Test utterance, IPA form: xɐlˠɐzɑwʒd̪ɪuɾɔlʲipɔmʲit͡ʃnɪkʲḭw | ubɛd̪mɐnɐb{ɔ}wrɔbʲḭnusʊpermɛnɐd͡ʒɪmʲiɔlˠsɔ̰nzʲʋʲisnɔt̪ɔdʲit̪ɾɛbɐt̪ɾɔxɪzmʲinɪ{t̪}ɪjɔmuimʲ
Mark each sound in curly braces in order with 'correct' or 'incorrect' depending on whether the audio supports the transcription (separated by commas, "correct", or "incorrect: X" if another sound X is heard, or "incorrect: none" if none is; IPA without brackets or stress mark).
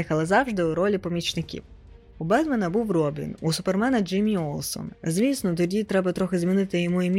incorrect: u, correct